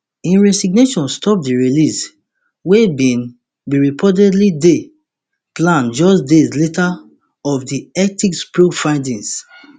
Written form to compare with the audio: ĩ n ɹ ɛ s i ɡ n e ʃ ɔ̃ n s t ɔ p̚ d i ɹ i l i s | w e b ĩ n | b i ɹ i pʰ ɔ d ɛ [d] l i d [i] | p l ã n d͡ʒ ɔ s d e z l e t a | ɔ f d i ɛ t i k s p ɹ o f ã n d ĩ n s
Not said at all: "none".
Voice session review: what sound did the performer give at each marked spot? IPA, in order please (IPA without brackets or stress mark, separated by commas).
d, e